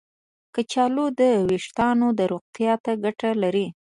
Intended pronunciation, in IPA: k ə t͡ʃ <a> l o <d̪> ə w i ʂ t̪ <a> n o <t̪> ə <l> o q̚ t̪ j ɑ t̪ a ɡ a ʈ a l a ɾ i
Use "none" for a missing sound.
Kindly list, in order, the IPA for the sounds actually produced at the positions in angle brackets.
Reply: ɑ, d̪, ɑ, d̪, ɾ

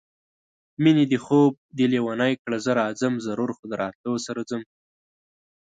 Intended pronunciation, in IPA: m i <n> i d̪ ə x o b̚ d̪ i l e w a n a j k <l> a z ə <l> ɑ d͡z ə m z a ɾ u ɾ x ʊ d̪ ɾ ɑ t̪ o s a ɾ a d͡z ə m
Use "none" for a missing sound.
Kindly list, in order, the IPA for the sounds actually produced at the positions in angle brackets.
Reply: n, ɽ, ɾ

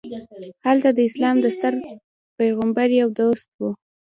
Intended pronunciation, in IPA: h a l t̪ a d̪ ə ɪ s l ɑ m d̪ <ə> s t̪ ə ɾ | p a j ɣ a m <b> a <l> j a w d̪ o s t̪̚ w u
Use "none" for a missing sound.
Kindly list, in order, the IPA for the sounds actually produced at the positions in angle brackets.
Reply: ə, b, ɾ

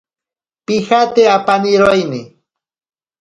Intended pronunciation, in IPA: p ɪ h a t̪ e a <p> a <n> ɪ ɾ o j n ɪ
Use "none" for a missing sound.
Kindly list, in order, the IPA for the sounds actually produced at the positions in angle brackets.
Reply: p, n

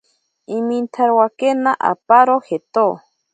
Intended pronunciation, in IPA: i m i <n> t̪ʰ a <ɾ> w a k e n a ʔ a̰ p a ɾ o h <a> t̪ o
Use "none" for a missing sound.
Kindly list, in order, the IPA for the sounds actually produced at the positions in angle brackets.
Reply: n, ɾ, e

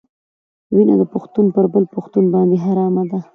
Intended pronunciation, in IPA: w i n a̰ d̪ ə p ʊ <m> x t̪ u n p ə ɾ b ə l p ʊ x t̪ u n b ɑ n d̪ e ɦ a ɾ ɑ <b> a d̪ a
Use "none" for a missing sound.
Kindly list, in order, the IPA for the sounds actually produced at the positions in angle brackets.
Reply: none, m

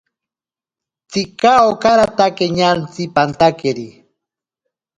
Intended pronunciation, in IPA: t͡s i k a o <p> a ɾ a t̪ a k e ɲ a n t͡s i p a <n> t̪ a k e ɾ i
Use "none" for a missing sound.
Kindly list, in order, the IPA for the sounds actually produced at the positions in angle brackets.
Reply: k, n

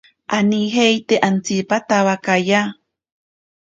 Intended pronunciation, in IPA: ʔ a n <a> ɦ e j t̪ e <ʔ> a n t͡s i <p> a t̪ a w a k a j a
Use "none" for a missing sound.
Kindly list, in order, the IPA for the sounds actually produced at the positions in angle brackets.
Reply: i, ʔ, p

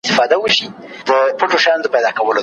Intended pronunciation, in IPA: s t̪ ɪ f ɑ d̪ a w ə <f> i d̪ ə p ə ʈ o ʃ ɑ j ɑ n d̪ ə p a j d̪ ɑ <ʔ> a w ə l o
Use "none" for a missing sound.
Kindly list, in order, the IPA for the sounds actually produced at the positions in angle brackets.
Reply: ʃ, k

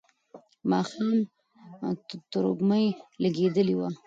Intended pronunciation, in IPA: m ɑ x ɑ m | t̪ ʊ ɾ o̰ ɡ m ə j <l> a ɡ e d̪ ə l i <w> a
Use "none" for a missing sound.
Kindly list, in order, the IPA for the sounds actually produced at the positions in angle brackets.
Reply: l, w

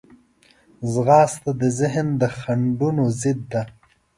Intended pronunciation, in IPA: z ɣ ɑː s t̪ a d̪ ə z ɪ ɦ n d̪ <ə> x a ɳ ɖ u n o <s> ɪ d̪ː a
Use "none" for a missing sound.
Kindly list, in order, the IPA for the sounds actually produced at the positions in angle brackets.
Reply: ə, z

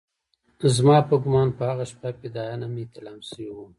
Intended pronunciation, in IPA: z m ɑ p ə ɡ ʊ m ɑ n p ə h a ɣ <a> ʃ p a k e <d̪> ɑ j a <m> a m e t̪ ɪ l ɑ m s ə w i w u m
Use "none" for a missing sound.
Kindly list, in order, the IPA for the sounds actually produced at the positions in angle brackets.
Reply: a, d̪, n

